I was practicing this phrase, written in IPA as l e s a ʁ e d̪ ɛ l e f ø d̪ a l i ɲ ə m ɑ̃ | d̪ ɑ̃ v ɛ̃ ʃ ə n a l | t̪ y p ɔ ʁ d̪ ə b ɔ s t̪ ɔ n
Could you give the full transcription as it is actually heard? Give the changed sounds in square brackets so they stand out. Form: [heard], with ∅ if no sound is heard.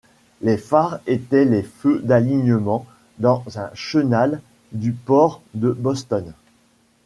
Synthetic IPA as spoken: l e [f] a ʁ e [t̪] ɛ l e f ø d̪ a l i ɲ ə m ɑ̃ | d̪ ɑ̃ [z] ɛ̃ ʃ ə n a l | [d̪] y p ɔ ʁ d̪ ə b ɔ s t̪ ɔ n